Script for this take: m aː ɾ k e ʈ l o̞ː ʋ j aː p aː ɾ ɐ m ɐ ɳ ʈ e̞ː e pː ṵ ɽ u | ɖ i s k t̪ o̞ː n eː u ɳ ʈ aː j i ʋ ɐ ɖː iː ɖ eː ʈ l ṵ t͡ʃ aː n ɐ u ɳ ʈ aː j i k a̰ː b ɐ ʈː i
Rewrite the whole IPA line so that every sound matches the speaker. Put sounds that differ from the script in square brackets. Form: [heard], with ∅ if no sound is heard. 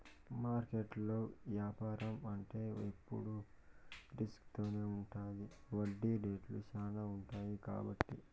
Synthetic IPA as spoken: m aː ɾ k e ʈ l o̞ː ʋ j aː p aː ɾ ɐ m ɐ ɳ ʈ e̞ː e pː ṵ ɽ u | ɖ i s k t̪ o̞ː n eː u ɳ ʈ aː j i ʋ ɐ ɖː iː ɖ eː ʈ l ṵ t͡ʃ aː n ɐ u ɳ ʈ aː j i k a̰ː b ɐ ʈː i

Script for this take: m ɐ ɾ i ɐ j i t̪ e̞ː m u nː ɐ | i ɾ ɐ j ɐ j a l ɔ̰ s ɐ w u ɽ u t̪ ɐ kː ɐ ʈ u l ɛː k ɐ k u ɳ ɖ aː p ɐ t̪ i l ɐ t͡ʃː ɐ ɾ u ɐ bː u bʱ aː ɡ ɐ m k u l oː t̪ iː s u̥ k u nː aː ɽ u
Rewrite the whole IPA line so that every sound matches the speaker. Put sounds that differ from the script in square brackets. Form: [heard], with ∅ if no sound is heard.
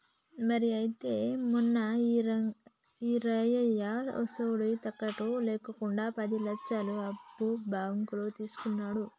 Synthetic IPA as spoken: m ɐ ɾ i ɐ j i t̪ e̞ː m u nː ɐ | i ɾ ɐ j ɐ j a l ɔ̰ s ɐ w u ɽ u t̪ ɐ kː ɐ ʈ u l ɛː k ɐ k u ɳ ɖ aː p ɐ [d̪] i l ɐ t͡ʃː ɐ [l] u ɐ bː u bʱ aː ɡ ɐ [ŋ] k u l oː t̪ iː s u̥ k u nː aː ɽ u

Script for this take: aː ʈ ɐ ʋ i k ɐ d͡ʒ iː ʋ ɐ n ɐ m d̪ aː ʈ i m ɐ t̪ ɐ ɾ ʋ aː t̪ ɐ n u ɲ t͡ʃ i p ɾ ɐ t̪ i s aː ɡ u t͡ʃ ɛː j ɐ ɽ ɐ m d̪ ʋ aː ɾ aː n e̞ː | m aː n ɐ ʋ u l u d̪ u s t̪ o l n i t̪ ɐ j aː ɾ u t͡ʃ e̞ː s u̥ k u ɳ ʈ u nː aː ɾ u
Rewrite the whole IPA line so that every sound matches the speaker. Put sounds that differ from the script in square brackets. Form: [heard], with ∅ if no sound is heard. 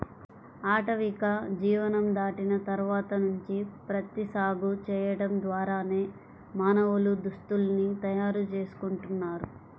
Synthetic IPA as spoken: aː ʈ ɐ ʋ i k ɐ d͡ʒ iː ʋ ɐ n ɐ m d̪ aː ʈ i [n] ɐ t̪ ɐ ɾ ʋ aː t̪ ɐ n u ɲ t͡ʃ i p ɾ ɐ t̪ i s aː ɡ u t͡ʃ ɛː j ɐ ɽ ɐ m d̪ ʋ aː ɾ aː n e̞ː | m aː n ɐ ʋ u l u d̪ u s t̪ [u] l n i t̪ ɐ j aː ɾ u t͡ʃ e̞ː s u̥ k u ɳ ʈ u nː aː ɾ u

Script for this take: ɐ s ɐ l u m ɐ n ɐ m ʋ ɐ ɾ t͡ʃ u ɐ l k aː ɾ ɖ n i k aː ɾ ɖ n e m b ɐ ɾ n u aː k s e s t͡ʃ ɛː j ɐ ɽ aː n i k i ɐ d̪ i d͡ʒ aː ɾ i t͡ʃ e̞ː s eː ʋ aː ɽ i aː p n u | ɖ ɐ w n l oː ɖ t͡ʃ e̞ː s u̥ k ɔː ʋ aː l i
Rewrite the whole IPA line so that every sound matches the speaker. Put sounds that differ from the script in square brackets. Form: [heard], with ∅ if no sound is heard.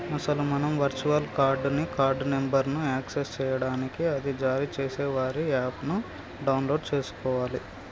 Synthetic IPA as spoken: ɐ s ɐ l u m ɐ n ɐ m ʋ ɐ ɾ t͡ʃ u ɐ l k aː ɾ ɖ n i k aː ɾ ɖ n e m b ɐ ɾ n u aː k s e s t͡ʃ ɛː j ɐ ɽ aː n i k i ɐ d̪ i d͡ʒ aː ɾ i t͡ʃ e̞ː s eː ʋ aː [ɾ] i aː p n u | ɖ ɐ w n l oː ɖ t͡ʃ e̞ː s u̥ k ɔː ʋ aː l i

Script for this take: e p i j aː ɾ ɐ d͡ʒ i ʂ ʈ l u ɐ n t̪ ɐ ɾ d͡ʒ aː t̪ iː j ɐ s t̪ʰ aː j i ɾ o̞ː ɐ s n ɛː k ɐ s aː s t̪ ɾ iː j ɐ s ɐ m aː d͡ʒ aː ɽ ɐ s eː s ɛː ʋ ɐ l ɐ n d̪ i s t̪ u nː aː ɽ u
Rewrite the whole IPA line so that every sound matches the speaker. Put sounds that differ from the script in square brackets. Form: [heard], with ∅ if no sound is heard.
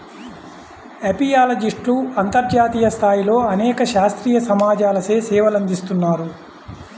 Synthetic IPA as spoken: e p i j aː [l] ɐ d͡ʒ i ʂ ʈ l u ɐ n t̪ ɐ ɾ d͡ʒ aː t̪ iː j ɐ s t̪ʰ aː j i [l] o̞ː ɐ [∅] n ɛː k ɐ [ʃ] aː s t̪ ɾ iː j ɐ s ɐ m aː d͡ʒ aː [l] ɐ s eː s ɛː ʋ ɐ l ɐ n d̪ i s t̪ u nː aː [ɾ] u

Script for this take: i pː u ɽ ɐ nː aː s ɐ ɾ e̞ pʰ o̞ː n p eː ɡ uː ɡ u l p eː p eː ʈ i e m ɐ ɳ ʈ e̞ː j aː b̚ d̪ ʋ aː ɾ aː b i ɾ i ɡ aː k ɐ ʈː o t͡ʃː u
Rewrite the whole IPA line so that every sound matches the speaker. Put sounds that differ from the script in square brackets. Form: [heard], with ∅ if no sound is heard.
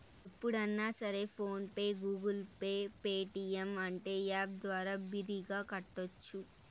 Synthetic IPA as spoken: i pː u ɽ ɐ nː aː s ɐ ɾ e̞ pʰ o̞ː n p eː ɡ uː ɡ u l p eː p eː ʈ i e m ɐ ɳ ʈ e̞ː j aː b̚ d̪ ʋ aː ɾ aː b i ɾ i ɡ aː k ɐ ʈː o t͡ʃː u

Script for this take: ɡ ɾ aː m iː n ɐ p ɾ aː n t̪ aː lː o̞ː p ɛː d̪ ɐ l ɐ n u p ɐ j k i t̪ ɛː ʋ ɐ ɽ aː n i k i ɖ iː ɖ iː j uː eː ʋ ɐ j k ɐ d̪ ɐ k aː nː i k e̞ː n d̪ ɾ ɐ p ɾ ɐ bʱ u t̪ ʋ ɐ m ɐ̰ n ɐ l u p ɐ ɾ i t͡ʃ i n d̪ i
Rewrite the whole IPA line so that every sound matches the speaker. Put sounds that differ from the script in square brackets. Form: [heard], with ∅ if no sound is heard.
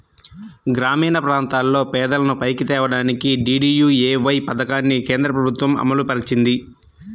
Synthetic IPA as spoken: ɡ ɾ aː m iː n ɐ p ɾ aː n t̪ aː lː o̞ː p ɛː d̪ ɐ l ɐ n u p ɐ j k i t̪ ɛː ʋ ɐ ɽ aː n i k i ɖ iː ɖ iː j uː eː ʋ ɐ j [p] ɐ d̪ ɐ k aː nː i k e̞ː n d̪ ɾ ɐ p ɾ ɐ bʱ u t̪ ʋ ɐ m ɐ̰ [m] ɐ l u p ɐ ɾ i t͡ʃ i n d̪ i

